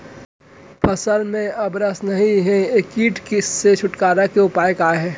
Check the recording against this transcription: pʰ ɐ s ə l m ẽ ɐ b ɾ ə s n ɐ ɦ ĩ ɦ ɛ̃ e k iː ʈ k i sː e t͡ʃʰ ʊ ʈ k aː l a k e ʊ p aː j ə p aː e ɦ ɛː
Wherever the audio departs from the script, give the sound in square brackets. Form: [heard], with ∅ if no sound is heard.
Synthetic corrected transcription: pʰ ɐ s ə l m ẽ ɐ b ɾ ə s n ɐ ɦ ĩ ɦ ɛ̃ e k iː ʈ k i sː e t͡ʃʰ ʊ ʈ k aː [ɾ] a k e ʊ p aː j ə [k] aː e ɦ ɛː